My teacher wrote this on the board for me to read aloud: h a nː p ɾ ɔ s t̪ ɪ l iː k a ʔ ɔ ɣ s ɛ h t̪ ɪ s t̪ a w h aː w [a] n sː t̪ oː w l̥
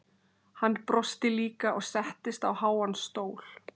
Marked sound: correct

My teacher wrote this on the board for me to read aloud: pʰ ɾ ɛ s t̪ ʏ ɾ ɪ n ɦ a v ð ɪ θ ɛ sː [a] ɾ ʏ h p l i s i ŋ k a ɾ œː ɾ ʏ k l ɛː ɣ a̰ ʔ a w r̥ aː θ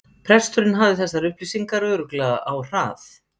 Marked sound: correct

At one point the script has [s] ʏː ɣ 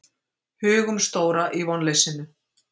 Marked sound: incorrect: h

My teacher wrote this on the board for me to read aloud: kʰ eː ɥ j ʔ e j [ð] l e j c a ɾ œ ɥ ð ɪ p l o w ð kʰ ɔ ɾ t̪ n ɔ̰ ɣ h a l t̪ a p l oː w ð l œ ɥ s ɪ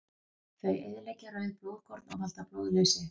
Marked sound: correct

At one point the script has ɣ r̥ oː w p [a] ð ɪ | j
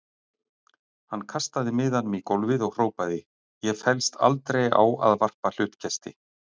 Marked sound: correct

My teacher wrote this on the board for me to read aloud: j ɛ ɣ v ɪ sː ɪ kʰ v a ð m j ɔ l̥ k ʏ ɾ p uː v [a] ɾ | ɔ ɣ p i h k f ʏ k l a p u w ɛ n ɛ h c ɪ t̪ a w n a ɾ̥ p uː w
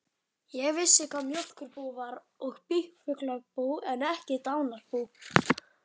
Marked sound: correct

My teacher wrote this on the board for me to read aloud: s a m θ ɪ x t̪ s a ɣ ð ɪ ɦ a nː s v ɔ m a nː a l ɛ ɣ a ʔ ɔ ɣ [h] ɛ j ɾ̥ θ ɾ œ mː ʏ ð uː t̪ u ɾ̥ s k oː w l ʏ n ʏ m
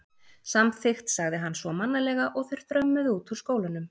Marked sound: incorrect: θ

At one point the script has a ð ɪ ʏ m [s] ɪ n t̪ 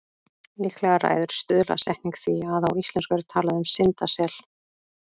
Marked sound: correct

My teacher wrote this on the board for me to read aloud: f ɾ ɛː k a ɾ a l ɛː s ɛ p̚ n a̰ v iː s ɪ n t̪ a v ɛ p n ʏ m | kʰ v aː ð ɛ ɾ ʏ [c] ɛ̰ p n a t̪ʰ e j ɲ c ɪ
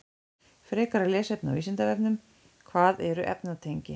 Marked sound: incorrect: ʔ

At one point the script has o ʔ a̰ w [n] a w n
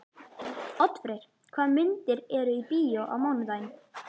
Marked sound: incorrect: m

